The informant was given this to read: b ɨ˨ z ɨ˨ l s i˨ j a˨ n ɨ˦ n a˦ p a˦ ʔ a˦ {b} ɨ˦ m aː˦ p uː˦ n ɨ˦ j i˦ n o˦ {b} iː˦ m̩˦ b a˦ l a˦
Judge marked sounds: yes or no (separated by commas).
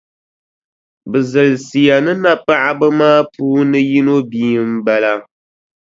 yes, yes